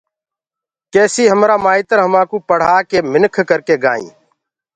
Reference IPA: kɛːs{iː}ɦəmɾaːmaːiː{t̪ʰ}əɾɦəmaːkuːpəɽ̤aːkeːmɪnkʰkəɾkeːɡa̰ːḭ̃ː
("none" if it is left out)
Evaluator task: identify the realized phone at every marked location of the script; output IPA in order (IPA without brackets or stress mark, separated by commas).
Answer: iː, t̪